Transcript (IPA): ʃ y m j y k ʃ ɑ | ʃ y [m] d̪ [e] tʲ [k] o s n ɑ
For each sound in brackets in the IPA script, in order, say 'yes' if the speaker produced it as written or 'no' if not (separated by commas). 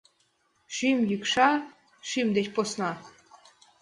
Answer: yes, yes, no